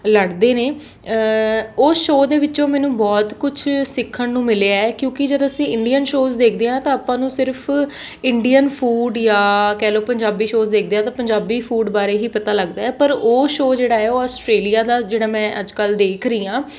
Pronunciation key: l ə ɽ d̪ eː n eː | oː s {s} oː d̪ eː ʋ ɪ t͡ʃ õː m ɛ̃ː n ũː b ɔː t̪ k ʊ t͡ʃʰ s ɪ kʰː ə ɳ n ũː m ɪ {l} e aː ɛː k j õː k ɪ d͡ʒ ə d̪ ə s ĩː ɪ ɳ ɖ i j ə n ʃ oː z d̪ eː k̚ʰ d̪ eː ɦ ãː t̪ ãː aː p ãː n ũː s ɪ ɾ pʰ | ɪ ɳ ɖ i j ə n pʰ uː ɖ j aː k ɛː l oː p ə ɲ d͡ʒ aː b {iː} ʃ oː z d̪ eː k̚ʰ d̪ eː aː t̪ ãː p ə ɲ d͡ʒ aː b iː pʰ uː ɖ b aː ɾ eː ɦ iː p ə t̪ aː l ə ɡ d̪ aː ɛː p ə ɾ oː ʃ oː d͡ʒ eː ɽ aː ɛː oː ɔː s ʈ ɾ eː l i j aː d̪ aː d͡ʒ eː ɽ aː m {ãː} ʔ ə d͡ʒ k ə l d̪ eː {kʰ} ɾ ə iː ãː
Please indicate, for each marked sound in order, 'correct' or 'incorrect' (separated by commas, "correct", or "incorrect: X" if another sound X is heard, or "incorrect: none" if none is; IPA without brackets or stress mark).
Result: incorrect: ʃ, correct, correct, incorrect: ɛ̃ː, correct